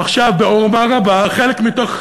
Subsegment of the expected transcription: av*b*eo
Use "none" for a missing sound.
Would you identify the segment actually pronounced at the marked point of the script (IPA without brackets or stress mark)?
b